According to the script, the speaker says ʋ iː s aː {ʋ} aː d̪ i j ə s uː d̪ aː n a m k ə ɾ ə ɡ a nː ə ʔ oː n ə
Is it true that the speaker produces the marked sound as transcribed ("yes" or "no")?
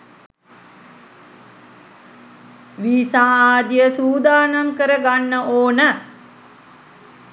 no